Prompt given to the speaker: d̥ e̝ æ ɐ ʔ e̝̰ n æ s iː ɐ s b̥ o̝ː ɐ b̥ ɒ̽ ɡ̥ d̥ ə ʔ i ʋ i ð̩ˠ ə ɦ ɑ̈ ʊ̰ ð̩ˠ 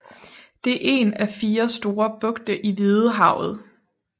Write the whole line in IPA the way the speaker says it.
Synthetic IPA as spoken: d̥ e̝ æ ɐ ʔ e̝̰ n æ f iː ɐ s d̥ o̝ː ɐ b̥ ɔ̽ ɡ̥ d̥ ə ʔ i ʋ i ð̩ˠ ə ɦ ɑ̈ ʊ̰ ð̩ˠ